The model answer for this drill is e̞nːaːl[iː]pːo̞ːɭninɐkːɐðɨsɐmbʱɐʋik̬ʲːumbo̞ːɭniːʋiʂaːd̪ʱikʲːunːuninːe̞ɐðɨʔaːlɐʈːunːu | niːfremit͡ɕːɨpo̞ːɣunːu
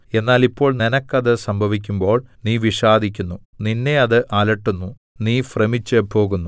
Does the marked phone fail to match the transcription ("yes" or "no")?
yes